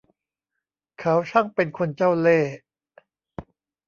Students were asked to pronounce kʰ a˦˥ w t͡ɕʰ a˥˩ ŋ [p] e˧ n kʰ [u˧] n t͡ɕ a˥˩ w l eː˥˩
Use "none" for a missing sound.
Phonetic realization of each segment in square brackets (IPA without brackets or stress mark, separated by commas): p, o˧